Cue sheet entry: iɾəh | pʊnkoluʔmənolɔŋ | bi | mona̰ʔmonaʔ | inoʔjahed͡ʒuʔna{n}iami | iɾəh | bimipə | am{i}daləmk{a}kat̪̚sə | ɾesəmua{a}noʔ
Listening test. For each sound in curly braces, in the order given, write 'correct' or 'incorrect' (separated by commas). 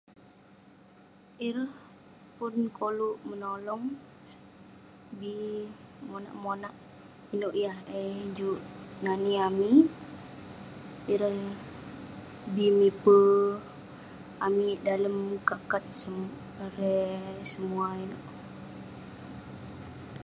correct, correct, correct, incorrect